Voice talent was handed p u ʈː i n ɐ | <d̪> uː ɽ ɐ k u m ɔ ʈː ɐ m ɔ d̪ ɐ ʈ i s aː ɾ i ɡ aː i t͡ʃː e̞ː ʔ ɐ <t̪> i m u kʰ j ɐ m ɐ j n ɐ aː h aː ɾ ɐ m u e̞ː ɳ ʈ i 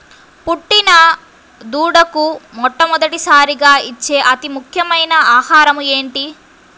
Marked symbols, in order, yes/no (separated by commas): yes, yes